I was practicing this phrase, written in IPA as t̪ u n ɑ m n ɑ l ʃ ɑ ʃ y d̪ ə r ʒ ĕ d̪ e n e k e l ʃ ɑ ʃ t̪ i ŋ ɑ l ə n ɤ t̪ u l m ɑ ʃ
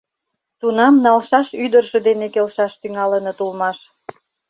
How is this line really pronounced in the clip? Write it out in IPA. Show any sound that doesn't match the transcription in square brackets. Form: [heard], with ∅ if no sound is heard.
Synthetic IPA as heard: t̪ u n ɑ m n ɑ l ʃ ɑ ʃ y d̪ ə r ʒ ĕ d̪ e n e k e l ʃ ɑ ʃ t̪ [y] ŋ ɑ l ə n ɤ t̪ u l m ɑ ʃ

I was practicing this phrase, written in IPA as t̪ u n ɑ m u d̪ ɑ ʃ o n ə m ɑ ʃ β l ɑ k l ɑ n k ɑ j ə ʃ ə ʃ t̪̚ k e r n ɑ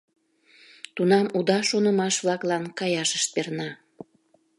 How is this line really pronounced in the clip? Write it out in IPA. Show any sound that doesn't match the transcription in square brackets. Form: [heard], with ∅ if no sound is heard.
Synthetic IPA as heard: t̪ u n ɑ m u d̪ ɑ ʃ o n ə m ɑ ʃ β l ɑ k l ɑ n k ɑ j [ɑ] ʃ ə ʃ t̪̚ [p] e r n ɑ

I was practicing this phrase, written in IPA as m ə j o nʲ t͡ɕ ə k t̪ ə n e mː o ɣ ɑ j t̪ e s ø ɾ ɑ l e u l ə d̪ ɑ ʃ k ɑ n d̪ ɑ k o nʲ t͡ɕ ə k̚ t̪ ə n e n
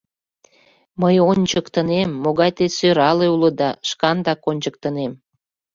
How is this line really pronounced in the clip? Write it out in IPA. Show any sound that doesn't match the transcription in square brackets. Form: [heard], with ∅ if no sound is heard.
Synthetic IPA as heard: m ə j o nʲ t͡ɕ ə k t̪ ə n e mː o ɣ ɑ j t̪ e s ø ɾ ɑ l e u l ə d̪ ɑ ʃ k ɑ n d̪ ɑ k o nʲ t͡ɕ ə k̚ t̪ ə n e [m]

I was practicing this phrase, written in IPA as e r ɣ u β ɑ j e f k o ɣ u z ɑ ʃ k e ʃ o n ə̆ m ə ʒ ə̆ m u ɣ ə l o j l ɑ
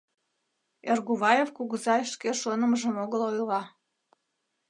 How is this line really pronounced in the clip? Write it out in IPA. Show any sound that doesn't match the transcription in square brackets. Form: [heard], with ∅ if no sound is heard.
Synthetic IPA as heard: e r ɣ u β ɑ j e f k [u] ɣ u z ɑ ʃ k e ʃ o n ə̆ m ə ʒ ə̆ m [o] ɣ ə l o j l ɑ

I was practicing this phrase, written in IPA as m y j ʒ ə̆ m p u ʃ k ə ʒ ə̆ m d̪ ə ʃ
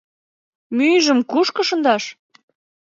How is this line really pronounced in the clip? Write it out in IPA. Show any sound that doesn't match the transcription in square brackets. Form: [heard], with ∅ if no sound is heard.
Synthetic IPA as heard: m y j ʒ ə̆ m [k] u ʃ k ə [ʃ] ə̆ [n] d̪ [ɑ] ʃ

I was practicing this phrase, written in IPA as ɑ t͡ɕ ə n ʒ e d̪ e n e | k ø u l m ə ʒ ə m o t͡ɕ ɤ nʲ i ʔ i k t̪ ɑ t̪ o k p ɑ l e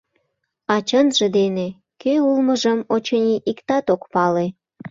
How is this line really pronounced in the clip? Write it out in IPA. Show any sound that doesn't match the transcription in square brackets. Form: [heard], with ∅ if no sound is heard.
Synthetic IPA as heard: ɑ t͡ɕ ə n ʒ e d̪ e n e | k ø u l m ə ʒ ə m o t͡ɕ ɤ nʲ i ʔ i k t̪ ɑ t̪ o k p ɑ l e

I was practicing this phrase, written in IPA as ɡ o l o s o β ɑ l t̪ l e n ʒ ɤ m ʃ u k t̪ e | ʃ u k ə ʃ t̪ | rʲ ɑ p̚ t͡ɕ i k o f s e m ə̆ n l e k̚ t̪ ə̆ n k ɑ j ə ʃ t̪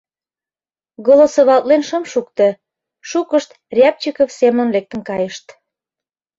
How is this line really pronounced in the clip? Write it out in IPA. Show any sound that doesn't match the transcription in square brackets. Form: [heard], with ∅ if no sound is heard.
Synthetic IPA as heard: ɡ o l o s o β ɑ l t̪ l e n [ʃ] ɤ m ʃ u k t̪ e | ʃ u k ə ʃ t̪ | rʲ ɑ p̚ t͡ɕ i k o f s e m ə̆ n l e k̚ t̪ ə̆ n k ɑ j ə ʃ t̪

